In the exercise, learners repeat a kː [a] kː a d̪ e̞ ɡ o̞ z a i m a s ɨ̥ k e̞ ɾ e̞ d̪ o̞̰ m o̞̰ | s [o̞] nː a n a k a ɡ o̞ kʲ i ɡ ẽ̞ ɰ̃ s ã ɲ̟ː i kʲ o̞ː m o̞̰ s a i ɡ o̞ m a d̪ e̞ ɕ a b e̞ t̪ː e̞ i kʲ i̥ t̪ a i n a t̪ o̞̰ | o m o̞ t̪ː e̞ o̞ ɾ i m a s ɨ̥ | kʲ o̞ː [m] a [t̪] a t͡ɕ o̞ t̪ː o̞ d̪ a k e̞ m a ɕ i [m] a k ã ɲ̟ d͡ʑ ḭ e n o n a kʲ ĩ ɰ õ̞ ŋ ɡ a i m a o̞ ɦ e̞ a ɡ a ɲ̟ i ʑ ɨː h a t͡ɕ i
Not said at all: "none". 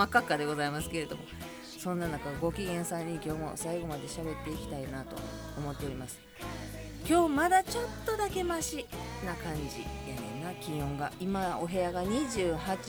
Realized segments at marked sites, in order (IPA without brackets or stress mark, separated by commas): a, õ̞, m, d̪, n